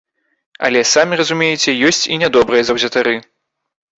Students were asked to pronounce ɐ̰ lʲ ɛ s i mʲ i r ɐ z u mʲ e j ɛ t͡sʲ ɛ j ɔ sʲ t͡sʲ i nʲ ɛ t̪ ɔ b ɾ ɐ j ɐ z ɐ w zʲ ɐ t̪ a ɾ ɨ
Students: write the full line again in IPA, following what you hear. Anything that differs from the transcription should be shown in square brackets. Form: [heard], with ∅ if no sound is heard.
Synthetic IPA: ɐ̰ lʲ ɛ s [a] mʲ i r ɐ z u mʲ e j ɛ t͡sʲ ɛ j ɔ sʲ t͡sʲ i nʲ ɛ [d̪] ɔ b ɾ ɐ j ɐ z ɐ w zʲ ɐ t̪ a ɾ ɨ